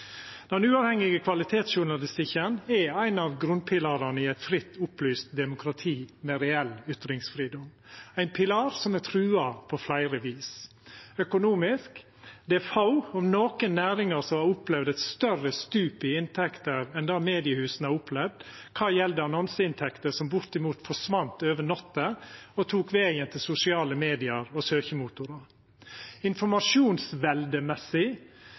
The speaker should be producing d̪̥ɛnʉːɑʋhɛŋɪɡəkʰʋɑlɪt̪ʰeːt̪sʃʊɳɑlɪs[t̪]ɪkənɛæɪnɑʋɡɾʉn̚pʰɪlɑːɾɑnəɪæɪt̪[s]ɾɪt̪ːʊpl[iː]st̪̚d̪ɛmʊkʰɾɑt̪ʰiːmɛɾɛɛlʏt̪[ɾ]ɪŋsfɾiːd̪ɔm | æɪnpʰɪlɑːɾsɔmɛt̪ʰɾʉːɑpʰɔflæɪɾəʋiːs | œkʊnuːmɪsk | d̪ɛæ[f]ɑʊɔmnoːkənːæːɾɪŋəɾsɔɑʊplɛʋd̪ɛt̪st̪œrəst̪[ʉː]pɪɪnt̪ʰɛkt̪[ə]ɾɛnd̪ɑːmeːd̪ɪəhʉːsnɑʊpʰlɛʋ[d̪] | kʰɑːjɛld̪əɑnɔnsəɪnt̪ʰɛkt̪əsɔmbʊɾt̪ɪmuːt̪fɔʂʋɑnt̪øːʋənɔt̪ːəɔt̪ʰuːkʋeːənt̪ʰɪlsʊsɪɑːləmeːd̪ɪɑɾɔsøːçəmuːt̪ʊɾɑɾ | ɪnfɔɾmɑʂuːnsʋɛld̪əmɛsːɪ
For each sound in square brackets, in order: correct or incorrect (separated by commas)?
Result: correct, incorrect, incorrect, correct, correct, correct, correct, correct